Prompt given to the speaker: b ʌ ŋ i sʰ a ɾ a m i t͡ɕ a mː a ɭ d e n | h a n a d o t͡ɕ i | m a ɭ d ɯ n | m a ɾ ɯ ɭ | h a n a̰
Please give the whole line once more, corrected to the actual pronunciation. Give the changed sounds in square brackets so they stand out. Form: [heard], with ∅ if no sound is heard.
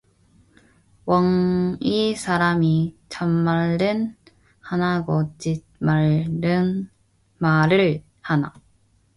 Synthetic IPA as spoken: [w] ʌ ŋ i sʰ a ɾ a m i t͡ɕ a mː a ɭ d e n | h a n a [ɡ] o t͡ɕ i | m a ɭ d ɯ n | m a ɾ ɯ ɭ | h a n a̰

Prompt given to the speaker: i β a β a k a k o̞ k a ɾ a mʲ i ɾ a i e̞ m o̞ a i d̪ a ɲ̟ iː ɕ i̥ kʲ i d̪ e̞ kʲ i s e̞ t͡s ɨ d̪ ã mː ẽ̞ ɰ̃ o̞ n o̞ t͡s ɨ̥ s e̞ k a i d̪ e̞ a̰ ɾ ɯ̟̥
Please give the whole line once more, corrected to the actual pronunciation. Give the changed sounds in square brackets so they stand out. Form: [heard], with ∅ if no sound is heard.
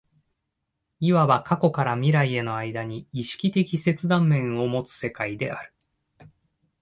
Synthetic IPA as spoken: i β a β a k a k o̞ k a ɾ a mʲ i ɾ a i e̞ [n] o̞ a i d̪ a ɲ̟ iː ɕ i̥ kʲ i [t̪] e̞ kʲ i s e̞ t͡s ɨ d̪ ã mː ẽ̞ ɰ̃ o̞ [m] o̞ t͡s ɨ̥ s e̞ k a i d̪ e̞ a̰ ɾ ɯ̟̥

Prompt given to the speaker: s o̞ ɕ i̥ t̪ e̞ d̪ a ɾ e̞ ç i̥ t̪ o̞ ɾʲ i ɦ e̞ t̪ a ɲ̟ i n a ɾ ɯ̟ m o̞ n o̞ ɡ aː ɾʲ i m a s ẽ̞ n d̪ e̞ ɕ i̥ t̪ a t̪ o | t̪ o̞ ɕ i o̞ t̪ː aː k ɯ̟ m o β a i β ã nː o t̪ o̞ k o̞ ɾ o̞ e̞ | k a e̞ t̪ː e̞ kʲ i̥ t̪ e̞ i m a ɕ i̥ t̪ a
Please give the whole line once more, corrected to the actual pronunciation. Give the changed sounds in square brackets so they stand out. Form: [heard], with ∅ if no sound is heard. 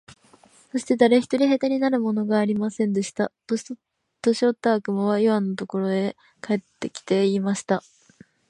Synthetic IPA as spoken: s o̞ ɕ i̥ t̪ e̞ d̪ a ɾ e̞ ç i̥ t̪ o̞ ɾʲ i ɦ e̞ t̪ a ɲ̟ i n a ɾ ɯ̟ m o̞ n o̞ ɡ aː ɾʲ i m a s ẽ̞ n d̪ e̞ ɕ i̥ t̪ a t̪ o | t̪ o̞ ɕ i o̞ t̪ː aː k ɯ̟ m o β a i β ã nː o t̪ o̞ k o̞ ɾ o̞ e̞ | k a e̞ t̪ː e̞ kʲ i̥ t̪ e̞ i m a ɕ i̥ t̪ a

